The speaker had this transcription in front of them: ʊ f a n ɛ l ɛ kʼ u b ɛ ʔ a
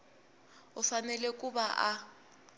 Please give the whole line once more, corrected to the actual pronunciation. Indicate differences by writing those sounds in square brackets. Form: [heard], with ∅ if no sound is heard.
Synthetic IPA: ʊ f a n ɛ l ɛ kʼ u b [a] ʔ a